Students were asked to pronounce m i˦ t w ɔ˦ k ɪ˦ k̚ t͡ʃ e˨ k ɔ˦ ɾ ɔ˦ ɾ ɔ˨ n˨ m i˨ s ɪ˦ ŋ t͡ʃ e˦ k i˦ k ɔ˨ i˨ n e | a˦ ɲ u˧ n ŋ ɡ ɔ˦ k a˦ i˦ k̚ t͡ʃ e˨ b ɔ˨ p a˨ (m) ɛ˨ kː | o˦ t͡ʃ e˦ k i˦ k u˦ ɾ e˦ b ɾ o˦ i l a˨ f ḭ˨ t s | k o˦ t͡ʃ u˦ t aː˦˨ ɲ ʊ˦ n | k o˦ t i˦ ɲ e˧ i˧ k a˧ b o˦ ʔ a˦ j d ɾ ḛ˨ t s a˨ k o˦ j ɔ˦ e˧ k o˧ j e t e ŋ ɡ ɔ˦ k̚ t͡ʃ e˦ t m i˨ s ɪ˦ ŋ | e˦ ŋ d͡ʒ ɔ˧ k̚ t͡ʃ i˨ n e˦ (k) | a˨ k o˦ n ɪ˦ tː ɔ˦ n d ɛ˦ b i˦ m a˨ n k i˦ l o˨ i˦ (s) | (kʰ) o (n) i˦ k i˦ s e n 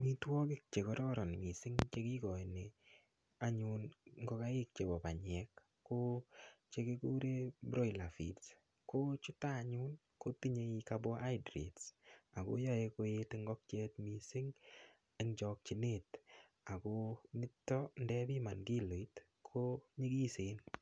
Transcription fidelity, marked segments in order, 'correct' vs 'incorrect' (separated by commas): incorrect, incorrect, incorrect, correct, incorrect